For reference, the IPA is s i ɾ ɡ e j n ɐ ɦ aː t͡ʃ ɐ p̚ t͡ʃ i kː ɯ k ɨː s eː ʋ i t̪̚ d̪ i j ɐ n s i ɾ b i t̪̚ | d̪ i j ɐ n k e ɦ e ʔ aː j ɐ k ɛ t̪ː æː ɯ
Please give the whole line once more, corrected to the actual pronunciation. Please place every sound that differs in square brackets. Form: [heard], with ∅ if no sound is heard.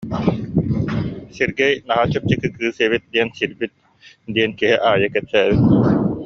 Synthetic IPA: s i ɾ ɡ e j n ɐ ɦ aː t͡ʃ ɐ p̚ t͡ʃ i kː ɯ k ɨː s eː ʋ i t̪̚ d̪ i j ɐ n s i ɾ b i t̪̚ | d̪ i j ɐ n k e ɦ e ʔ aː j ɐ k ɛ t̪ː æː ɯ